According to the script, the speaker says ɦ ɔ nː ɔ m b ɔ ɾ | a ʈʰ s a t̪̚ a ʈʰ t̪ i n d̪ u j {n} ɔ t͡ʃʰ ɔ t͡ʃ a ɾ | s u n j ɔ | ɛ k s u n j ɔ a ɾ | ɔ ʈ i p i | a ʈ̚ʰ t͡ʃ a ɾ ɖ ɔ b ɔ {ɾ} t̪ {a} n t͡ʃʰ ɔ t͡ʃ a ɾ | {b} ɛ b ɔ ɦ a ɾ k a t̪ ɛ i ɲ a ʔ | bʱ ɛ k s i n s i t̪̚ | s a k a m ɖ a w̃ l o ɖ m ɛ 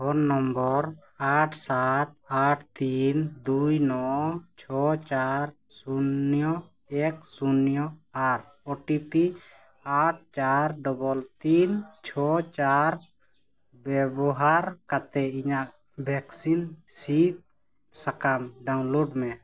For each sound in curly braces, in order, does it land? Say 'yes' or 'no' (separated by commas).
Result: yes, no, no, yes